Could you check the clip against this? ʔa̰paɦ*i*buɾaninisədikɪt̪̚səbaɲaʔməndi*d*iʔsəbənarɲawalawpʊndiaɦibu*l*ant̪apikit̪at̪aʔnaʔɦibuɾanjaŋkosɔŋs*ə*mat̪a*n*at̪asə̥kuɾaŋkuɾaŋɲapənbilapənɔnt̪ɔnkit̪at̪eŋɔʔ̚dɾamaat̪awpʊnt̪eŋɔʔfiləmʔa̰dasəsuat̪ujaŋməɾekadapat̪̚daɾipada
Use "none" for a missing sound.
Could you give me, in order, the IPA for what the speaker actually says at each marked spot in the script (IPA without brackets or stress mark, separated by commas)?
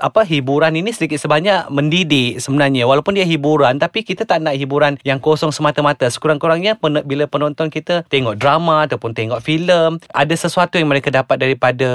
i, d, ɾ, ə, m